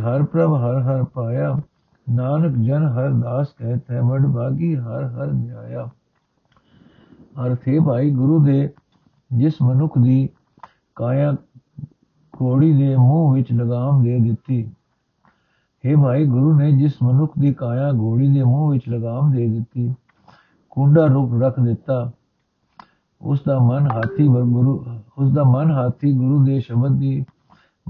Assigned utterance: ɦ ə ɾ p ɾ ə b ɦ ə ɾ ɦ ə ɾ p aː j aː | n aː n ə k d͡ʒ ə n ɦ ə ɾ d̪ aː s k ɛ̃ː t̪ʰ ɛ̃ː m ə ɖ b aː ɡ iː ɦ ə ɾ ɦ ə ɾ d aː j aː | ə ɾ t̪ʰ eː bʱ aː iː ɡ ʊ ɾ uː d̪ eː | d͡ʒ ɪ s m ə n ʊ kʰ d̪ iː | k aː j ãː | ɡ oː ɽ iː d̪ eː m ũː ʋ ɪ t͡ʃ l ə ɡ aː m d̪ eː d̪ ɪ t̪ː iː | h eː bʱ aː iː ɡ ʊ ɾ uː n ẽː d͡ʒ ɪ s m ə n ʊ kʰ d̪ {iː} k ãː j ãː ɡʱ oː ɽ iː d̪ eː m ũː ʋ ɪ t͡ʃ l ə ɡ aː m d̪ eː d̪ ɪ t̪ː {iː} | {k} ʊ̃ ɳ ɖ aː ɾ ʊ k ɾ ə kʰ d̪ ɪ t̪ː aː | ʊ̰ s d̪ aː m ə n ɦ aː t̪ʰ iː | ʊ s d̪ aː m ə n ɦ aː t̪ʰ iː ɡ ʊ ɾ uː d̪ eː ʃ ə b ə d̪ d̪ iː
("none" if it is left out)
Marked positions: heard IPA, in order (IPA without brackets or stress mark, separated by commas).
iː, iː, k